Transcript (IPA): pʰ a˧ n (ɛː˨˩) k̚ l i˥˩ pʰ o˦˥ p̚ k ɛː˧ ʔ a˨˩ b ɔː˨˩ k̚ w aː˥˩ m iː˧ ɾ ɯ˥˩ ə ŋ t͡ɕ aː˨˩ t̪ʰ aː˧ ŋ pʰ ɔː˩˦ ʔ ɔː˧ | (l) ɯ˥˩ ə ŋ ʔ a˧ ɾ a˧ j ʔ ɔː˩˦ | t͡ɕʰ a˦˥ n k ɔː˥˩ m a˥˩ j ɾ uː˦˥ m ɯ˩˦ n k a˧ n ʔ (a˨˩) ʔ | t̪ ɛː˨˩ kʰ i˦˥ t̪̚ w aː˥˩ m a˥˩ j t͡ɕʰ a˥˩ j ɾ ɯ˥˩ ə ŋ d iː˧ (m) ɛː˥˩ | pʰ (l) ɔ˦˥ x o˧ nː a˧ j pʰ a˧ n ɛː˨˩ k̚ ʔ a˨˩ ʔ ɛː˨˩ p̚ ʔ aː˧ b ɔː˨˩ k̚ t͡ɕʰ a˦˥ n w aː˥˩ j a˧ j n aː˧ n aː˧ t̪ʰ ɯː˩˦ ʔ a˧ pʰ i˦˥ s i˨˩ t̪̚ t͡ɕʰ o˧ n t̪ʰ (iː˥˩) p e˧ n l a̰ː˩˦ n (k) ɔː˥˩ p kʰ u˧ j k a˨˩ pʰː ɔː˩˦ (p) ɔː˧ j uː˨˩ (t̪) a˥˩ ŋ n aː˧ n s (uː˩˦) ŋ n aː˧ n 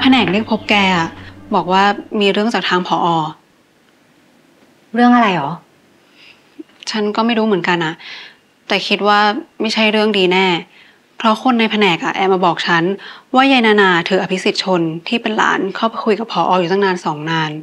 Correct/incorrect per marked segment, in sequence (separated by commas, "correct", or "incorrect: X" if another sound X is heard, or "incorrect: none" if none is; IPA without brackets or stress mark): correct, incorrect: ɾ, correct, incorrect: n, incorrect: ɾ, correct, incorrect: kʰ, incorrect: ʔ, correct, incorrect: ɔː˩˦